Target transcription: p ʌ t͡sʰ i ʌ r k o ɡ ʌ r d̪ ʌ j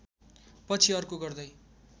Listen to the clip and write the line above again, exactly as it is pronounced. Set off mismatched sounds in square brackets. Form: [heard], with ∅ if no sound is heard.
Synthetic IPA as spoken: p ʌ t͡sʰ i ʌ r k o ɡ ʌ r d̪ ʌ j